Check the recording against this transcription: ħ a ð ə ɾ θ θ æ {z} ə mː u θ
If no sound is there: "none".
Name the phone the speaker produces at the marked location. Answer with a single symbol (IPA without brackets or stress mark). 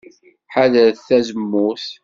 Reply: z